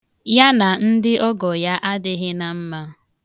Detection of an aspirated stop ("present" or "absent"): absent